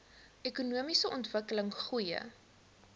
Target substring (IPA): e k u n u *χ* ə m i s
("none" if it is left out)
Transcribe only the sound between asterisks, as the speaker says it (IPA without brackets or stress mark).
none